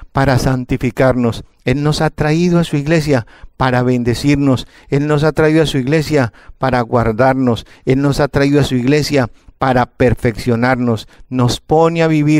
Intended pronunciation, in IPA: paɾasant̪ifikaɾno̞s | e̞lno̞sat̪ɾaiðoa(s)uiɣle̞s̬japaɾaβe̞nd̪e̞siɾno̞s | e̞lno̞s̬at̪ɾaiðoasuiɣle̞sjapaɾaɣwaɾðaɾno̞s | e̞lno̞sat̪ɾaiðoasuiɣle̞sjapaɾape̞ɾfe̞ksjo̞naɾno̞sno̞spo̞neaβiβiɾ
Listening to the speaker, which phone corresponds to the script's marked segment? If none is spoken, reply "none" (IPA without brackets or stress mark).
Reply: s